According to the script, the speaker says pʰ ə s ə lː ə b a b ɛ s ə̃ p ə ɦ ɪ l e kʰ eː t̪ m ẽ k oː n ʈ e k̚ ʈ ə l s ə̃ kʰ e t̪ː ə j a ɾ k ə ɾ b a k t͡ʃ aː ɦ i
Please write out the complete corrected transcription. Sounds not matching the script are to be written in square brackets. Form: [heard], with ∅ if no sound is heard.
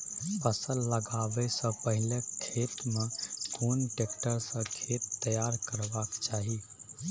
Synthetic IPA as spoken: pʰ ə s ə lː ə [ɡ] a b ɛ s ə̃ p ə ɦ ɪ l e kʰ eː t̪ m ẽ k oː n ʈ e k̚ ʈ ə [ɾ] s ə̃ kʰ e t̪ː ə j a ɾ k ə ɾ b a k t͡ʃ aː ɦ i

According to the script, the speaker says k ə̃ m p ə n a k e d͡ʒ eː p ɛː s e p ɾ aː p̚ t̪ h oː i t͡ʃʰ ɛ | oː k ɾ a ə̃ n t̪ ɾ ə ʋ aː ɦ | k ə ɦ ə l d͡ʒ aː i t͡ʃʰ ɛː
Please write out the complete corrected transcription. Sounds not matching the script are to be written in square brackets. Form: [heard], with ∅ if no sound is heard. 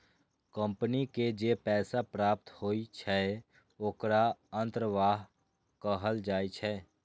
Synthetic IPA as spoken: k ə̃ m p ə n [i] k e d͡ʒ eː p ɛː s [a] p ɾ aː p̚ t̪ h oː i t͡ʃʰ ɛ | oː k ɾ a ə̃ n t̪ ɾ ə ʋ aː ɦ | k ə ɦ ə l d͡ʒ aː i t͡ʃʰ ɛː

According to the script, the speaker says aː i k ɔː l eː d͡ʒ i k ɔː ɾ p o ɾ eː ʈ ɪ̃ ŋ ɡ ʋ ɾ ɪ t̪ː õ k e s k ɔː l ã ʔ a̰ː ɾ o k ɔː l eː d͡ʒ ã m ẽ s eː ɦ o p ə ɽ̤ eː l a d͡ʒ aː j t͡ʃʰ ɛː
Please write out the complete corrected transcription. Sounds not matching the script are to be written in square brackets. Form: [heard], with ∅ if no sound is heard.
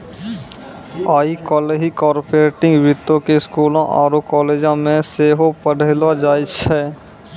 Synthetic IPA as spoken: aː i k ɔː l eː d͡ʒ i k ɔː ɾ p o ɾ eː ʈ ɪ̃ ŋ ɡ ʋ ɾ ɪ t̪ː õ k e s k [uː] l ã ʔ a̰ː ɾ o k ɔː l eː d͡ʒ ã m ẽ s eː ɦ o p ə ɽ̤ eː l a d͡ʒ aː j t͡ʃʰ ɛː

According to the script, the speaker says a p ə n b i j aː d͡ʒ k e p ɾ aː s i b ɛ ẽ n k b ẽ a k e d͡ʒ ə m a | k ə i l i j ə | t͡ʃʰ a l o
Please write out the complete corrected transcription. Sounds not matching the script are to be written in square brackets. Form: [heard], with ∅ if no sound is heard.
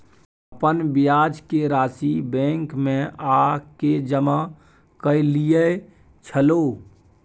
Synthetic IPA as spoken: [ə] p ə n b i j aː d͡ʒ k e [∅] ɾ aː s i b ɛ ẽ [ŋ] k [m] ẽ a k e d͡ʒ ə m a | k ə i l i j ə | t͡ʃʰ [ə] l o

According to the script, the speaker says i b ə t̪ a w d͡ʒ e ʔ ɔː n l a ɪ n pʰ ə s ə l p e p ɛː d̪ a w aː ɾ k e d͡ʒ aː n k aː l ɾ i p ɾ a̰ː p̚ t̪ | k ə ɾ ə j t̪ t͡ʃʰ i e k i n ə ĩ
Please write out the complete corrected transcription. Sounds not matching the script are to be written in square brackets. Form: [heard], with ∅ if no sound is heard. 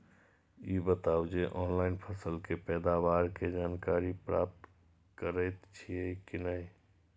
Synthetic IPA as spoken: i b ə t̪ a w d͡ʒ e ʔ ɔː n l a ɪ n pʰ ə s ə l [k] e p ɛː d̪ a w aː ɾ k e d͡ʒ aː n k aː [∅] ɾ i p ɾ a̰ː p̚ t̪ | k ə ɾ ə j t̪ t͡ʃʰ i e k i n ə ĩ

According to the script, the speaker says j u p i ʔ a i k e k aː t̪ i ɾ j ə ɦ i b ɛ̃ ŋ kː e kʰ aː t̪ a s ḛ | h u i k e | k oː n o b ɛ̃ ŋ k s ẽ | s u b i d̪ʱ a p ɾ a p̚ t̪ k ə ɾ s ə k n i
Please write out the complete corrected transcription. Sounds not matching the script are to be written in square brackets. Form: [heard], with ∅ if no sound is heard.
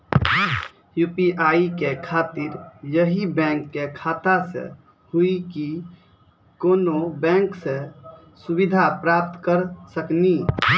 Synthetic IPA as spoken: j u p i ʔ a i k e [kʰ] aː t̪ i ɾ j ə ɦ i b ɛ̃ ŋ kː e kʰ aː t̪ a s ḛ | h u i k [i] | k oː n o b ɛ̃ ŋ k s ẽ | s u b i d̪ʱ a p ɾ a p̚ t̪ k ə ɾ s ə k n i

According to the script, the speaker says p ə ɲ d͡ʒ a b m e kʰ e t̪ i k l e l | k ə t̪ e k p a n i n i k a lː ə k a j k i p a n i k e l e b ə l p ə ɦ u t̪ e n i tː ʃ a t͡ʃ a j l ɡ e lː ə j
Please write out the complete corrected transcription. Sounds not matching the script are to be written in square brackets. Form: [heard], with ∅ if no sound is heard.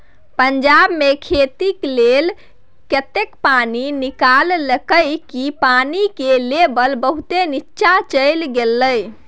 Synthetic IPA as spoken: p ə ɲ d͡ʒ a b m e kʰ e t̪ i k l e l | k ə t̪ e k p a n i n i k a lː ə k [ə] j k i p a n i k e l e b ə l [b] ə ɦ u t̪ e n i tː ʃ a t͡ʃ [ə] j l ɡ e lː ə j

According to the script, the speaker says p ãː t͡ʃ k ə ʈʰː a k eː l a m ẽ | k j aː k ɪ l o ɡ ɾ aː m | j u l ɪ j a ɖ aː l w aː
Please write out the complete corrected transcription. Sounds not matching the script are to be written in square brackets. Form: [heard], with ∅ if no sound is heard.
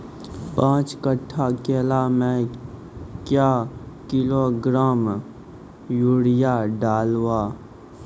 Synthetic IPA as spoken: p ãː t͡ʃ k ə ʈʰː a k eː l a m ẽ | k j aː k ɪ l o ɡ ɾ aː m | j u [ɽ] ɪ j a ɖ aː l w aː

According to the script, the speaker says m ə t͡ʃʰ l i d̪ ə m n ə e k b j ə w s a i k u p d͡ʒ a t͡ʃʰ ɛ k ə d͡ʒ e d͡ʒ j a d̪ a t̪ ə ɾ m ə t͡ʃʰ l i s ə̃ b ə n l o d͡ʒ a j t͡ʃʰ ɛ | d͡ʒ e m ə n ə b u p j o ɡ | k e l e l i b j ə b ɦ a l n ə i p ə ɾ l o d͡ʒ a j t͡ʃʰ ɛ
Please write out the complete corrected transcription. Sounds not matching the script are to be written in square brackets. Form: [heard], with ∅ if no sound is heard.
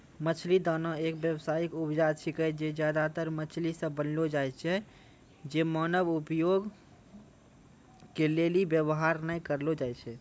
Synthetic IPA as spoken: m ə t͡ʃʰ l i d̪ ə [∅] n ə e k b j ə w s a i k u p d͡ʒ a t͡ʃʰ [i] k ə d͡ʒ e d͡ʒ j a d̪ a t̪ ə ɾ m ə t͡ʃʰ l i s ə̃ b ə n l o d͡ʒ a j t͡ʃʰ ɛ | d͡ʒ e m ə n ə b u p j o ɡ | k e l e l i b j ə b ɦ a [ɾ] n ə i [k] ə ɾ l o d͡ʒ a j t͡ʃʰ ɛ

